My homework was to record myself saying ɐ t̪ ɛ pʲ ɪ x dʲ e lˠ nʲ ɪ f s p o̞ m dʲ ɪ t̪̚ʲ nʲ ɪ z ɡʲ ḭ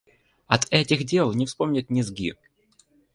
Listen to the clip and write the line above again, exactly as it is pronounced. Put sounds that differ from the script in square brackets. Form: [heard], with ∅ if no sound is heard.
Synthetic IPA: ɐ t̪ ɛ [tʲ] ɪ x dʲ e lˠ nʲ ɪ f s p o̞ m [nʲ] ɪ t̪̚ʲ nʲ ɪ z ɡʲ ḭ